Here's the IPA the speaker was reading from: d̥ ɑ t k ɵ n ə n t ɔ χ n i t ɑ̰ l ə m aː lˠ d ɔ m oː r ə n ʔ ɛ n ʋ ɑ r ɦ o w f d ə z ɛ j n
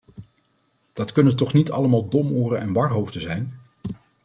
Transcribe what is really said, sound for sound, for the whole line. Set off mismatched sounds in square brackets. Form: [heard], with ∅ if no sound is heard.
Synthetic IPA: d̥ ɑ t k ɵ n ə n t ɔ χ n i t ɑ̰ l ə m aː lˠ d ɔ m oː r ə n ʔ ɛ n ʋ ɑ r ɦ o w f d ə z ɛ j n